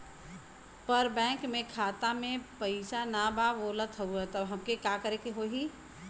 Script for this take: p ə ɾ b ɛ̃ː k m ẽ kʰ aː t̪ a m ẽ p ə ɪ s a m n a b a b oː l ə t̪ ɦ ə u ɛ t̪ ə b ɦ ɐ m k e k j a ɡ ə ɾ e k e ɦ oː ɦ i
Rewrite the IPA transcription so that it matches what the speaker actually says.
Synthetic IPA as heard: p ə ɾ b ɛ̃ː k m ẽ kʰ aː t̪ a m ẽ p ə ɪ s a n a b a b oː l ə t̪ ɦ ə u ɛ t̪ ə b ɦ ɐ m k e k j a k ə ɾ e k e ɦ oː ɦ i